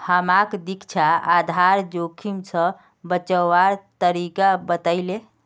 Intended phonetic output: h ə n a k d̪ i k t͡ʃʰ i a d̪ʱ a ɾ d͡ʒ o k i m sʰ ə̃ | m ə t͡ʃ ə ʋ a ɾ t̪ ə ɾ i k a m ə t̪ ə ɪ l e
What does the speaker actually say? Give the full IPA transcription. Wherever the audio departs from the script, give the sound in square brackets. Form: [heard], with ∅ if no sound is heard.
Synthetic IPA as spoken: h ə [m] a k d̪ i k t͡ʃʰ [a] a d̪ʱ a ɾ d͡ʒ o [kʰ] i m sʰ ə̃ | [b] ə t͡ʃ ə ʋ a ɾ t̪ ə ɾ i k a [b] ə t̪ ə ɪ l e